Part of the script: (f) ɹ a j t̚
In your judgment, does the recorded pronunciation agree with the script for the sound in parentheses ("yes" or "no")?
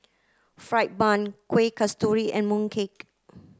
yes